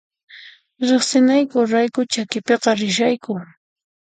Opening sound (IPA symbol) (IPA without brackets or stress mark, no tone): ɾ